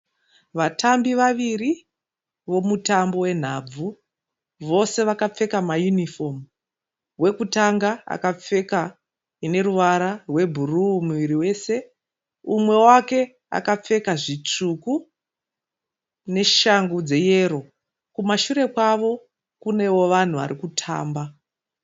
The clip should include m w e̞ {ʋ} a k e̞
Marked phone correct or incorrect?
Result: incorrect